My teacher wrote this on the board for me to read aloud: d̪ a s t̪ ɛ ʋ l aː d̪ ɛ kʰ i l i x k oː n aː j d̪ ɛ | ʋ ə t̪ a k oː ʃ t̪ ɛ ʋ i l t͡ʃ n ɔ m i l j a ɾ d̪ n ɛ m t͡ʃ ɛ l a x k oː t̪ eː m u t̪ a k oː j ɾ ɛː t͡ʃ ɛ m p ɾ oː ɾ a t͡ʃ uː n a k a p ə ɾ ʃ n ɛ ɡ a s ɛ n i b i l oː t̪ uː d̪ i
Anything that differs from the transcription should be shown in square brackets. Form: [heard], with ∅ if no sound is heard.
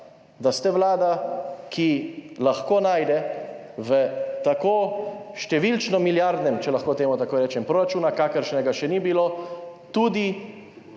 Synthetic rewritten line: d̪ a s t̪ ɛ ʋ l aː d̪ [a] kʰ i l [a] x k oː n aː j d̪ ɛ | ʋ ə t̪ a k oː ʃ t̪ ɛ ʋ i l t͡ʃ n ɔ m i l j a ɾ d̪ n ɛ m t͡ʃ ɛ l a x k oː t̪ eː m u t̪ a k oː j ɾ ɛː t͡ʃ ɛ m p ɾ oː ɾ a t͡ʃ uː n a k a [k] ə ɾ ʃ n ɛ ɡ a [ʃ] ɛ n i b i l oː t̪ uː d̪ i

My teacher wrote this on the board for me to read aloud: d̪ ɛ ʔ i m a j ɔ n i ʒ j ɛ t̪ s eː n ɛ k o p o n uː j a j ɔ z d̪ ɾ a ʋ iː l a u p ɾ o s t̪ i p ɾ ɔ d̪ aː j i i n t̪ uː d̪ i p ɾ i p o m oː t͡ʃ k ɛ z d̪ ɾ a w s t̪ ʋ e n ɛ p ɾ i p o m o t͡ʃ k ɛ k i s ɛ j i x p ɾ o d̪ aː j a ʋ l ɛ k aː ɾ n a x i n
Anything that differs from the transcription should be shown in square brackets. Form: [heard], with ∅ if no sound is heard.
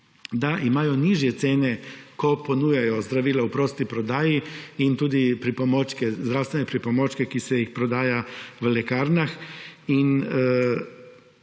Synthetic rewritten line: d̪ [a] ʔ i m a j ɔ n i ʒ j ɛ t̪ s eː n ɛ k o p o n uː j a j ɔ z d̪ ɾ a ʋ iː l a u p ɾ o s t̪ i p ɾ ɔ d̪ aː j i i n t̪ uː d̪ i p ɾ i p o m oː t͡ʃ k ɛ z d̪ ɾ a w s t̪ ʋ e n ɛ p ɾ i p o m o t͡ʃ k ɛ k i s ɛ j i x p ɾ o d̪ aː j a ʋ l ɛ k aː ɾ n a x i n

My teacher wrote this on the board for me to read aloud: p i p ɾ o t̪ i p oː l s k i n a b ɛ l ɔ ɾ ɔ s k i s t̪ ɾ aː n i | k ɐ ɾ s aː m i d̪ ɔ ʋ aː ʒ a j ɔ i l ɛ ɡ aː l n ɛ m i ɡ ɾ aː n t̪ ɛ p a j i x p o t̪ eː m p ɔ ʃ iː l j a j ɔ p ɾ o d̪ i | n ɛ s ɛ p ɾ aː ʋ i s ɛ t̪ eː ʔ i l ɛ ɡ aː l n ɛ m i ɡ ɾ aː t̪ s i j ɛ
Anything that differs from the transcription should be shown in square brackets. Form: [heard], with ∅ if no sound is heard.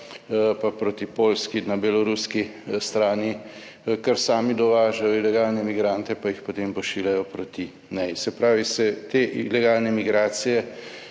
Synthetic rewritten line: p [a] p ɾ o t̪ i p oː l s k i n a b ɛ l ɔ ɾ [u] s k i s t̪ ɾ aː n i | k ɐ ɾ s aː m i d̪ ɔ ʋ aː ʒ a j ɔ i l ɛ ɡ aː l n ɛ m i ɡ ɾ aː n t̪ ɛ p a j i x p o t̪ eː m p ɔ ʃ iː l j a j ɔ p ɾ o [t̪] i | n ɛ s ɛ p ɾ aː ʋ i s ɛ t̪ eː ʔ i l ɛ ɡ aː l n ɛ m i ɡ ɾ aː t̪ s i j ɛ

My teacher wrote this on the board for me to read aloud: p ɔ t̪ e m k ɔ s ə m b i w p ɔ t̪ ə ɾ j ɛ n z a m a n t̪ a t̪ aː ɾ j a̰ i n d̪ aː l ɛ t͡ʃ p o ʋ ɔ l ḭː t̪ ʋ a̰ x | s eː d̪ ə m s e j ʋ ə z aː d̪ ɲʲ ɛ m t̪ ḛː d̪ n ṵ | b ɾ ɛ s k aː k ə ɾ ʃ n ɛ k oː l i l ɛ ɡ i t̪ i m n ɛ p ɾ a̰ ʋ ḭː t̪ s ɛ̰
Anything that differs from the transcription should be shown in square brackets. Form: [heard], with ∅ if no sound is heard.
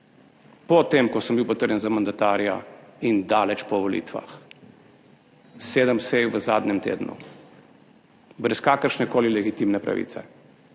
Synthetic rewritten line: p ɔ t̪ e m k ɔ s ə m b i w p ɔ t̪ ə ɾ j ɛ n z a m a n [d̪] a t̪ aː ɾ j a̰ i n d̪ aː l ɛ t͡ʃ p [ɔ] ʋ ɔ l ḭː t̪ ʋ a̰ x | s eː d̪ ə m s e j ʋ ə z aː d̪ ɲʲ ɛ m t̪ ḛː d̪ n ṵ | b ɾ ɛ s k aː k ə ɾ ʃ n ɛ k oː l i l ɛ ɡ i t̪ i m n ɛ p ɾ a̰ ʋ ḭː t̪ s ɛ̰

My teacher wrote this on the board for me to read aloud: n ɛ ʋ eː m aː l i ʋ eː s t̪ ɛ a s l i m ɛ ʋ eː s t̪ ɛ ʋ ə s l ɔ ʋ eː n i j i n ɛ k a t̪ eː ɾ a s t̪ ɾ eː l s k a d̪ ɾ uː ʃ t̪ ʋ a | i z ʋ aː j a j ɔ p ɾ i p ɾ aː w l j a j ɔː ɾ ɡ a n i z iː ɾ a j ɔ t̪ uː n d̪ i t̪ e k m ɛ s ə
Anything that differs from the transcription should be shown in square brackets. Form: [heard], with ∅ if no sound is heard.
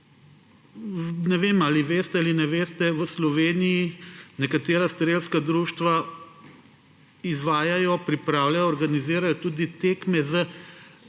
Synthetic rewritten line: n ɛ ʋ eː m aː l i ʋ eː s t̪ ɛ a [∅] l i [n] ɛ ʋ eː s t̪ ɛ ʋ ə s l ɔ ʋ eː n i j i n ɛ k a t̪ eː ɾ a s t̪ ɾ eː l s k a d̪ ɾ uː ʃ t̪ ʋ a | i z ʋ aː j a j ɔ p ɾ i p ɾ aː w l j a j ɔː ɾ ɡ a n i z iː ɾ a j ɔ t̪ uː [∅] d̪ i t̪ e k m ɛ [z] ə

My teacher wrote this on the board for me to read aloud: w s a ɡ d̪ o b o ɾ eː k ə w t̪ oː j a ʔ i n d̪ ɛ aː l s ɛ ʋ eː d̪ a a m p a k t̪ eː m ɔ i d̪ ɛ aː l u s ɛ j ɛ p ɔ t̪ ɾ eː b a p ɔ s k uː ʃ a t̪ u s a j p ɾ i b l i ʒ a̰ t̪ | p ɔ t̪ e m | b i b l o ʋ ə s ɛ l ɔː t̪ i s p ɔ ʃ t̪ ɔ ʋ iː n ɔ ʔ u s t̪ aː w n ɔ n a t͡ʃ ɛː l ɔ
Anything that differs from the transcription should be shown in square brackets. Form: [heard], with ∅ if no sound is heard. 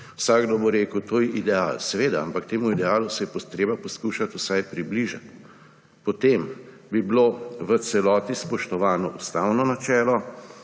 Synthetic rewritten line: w s a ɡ d̪ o b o ɾ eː k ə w t̪ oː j [ɛ] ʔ i [∅] d̪ ɛ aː l s ɛ ʋ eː d̪ a a m p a k t̪ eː m [u] i d̪ ɛ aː l u s ɛ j ɛ p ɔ t̪ ɾ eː b a p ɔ s k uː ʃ a t̪ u s a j p ɾ i b l i ʒ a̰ t̪ | p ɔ t̪ e m | b i b l o ʋ ə s ɛ l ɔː t̪ i s p ɔ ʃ t̪ ɔ ʋ [aː] n ɔ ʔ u s t̪ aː w n ɔ n a t͡ʃ ɛː l ɔ

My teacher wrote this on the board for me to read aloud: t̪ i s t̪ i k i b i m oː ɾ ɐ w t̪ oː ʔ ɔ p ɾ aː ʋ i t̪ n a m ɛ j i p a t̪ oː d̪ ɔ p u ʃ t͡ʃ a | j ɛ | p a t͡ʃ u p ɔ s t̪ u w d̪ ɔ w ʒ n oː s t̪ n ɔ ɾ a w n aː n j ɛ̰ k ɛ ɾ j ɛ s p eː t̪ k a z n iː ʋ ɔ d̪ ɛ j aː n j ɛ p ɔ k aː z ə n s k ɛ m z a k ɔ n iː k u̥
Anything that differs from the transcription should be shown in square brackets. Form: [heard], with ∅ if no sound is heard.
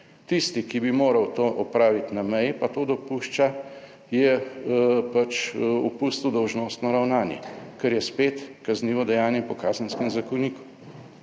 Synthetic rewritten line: t̪ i s t̪ i k i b i m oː ɾ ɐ w t̪ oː ʔ ɔ p ɾ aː ʋ i t̪ n a m ɛ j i p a t̪ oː d̪ ɔ p u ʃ t͡ʃ a | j ɛ | p a t͡ʃ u p [u] s t̪ u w d̪ ɔ w ʒ n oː s t̪ n ɔ ɾ a w n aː n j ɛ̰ k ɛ ɾ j ɛ s p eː t̪ k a z n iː ʋ ɔ d̪ ɛ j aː n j ɛ p ɔ k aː z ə n s k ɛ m z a k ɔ n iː k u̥

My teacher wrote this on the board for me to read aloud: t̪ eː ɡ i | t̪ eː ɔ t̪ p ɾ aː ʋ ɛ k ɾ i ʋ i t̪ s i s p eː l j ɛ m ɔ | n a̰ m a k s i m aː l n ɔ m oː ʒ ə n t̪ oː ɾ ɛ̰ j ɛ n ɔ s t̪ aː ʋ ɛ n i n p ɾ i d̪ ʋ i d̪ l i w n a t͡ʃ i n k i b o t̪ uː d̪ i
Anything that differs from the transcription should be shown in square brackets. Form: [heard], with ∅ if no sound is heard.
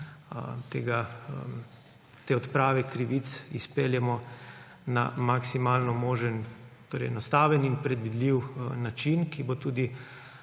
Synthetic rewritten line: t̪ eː ɡ [a] | t̪ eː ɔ t̪ p ɾ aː ʋ ɛ k ɾ i ʋ i t̪ s i s p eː l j ɛ m ɔ | n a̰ m a k s i m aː l n ɔ m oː ʒ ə n t̪ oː ɾ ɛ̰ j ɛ n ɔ s t̪ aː ʋ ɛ n i n p ɾ [ɛ] d̪ ʋ i d̪ l i w n a t͡ʃ i n k i b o t̪ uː d̪ i

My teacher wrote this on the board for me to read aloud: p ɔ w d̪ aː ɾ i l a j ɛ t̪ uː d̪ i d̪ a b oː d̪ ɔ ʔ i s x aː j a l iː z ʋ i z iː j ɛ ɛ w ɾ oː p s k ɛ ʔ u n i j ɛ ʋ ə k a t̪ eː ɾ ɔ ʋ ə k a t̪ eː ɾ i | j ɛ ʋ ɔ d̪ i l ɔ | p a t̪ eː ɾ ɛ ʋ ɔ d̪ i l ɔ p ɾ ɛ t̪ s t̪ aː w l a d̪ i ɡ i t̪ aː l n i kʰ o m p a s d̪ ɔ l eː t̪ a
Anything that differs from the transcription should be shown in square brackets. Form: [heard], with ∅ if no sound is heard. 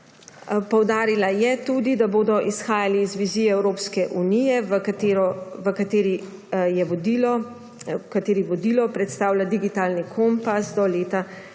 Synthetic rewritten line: p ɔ w d̪ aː ɾ i l a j ɛ t̪ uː d̪ i d̪ a b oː d̪ ɔ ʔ i s x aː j a l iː z ʋ i z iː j ɛ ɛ w ɾ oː p s k ɛ ʔ u n i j ɛ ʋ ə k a t̪ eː ɾ ɔ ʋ ə k a t̪ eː ɾ i | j ɛ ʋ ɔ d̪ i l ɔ | [k] a t̪ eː ɾ [i] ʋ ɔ d̪ i l ɔ p ɾ ɛ t̪ s t̪ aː w l a d̪ i ɡ i t̪ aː l n i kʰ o m p a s d̪ ɔ l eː t̪ a

